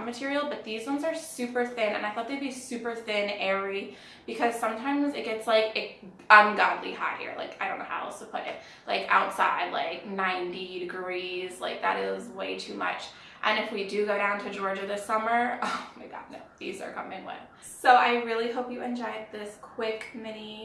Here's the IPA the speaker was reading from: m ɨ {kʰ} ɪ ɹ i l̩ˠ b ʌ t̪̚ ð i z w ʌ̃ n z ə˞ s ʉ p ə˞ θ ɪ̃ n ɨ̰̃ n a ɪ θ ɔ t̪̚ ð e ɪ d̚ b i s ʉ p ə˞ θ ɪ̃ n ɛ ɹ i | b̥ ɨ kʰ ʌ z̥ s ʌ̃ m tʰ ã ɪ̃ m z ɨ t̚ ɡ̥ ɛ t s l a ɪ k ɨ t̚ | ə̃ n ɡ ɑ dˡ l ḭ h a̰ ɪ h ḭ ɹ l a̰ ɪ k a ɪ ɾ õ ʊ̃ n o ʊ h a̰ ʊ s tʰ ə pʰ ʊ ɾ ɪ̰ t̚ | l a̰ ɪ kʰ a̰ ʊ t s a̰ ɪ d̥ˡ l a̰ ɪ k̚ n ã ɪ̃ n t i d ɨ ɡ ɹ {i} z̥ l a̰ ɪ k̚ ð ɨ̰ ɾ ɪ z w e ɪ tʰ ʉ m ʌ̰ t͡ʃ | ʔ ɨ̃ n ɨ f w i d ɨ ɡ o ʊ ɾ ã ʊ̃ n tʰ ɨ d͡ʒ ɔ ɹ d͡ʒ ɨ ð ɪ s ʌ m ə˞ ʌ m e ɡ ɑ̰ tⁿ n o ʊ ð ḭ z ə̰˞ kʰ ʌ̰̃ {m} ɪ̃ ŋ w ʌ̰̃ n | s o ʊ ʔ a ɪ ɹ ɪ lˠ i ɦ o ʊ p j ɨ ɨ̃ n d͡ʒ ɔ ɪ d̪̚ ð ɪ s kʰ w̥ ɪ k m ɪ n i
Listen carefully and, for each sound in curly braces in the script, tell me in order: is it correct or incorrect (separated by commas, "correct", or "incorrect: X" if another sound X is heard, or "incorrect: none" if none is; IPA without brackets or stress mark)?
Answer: incorrect: tʰ, correct, correct